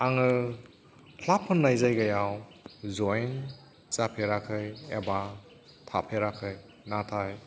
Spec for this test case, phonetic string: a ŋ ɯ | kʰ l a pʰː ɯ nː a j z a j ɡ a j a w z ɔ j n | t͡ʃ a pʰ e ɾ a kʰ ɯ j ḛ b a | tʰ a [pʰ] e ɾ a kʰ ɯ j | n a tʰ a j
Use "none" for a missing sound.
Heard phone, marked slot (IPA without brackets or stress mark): pʰ